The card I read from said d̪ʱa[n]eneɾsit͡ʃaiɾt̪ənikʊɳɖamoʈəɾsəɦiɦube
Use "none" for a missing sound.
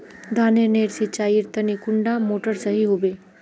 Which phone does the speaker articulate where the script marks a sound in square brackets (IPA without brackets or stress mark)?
n